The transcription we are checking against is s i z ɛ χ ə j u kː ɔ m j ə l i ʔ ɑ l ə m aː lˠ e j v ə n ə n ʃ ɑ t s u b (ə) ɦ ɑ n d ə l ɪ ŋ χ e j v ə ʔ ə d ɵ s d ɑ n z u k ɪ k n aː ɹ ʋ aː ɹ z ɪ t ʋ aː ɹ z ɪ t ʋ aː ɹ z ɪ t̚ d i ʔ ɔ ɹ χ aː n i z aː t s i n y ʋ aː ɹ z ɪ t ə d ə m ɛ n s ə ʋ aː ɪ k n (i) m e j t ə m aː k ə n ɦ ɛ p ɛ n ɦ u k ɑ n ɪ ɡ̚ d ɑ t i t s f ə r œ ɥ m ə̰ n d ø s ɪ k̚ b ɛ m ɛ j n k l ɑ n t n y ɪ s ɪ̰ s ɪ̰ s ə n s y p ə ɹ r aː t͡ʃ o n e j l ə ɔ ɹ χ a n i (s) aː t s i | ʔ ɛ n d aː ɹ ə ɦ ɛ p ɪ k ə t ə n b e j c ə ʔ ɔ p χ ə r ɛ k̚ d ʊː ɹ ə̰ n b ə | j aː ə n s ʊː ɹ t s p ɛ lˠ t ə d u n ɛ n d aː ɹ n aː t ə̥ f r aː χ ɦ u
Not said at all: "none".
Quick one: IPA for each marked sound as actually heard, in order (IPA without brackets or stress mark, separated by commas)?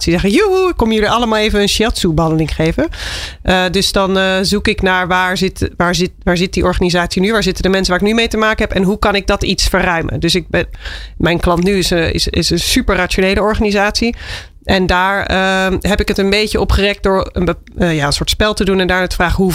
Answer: ə, y, z